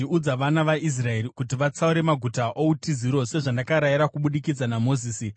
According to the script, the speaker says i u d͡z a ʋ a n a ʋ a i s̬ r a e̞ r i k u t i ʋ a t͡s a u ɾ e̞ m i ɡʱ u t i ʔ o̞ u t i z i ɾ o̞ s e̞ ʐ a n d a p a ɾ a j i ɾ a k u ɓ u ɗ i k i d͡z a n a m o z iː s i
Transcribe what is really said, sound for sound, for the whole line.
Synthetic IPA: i u d͡z a ʋ a n a ʋ a i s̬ r a e̞ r i k u t i ʋ a t͡s a u ɾ e̞ m a ɡʱ u t a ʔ o̞ u t i z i ɾ o̞ s e̞ ʐ a n d a k a ɾ a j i ɾ a k u ɓ u ɗ i k i d͡z a n a m o z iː s i